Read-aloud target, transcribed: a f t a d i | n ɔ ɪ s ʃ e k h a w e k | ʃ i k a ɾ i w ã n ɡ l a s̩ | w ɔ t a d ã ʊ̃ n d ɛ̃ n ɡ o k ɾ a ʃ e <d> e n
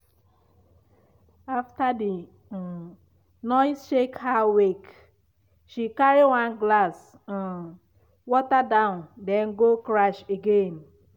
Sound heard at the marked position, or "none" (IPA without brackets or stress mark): ɡ